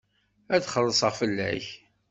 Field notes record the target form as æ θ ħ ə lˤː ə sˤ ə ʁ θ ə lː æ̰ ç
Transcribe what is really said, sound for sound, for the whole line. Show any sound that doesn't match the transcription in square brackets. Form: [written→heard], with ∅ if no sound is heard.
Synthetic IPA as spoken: æ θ [ħ→χ] ə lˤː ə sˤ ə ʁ [θ→f] ə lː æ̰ ç